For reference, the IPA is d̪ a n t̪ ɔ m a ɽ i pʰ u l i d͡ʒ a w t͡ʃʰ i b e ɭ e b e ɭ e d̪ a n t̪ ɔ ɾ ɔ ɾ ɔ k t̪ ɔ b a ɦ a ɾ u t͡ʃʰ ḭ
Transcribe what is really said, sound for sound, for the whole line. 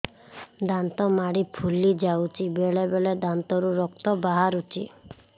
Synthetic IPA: d̪ a n t̪ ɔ m a ɽ i pʰ u l i d͡ʒ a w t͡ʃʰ i b e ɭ e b e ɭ e d̪ a n t̪ ɔ ɾ u ɾ ɔ k t̪ ɔ b a ɦ a ɾ u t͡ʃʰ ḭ